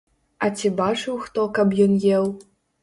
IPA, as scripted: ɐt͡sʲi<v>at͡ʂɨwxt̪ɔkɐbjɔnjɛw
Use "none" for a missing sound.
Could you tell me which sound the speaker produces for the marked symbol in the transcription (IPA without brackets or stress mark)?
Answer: b